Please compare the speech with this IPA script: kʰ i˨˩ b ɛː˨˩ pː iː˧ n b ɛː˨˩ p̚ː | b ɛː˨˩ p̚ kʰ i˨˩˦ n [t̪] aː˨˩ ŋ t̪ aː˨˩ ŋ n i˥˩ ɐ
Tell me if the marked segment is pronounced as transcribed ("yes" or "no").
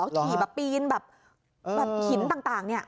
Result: yes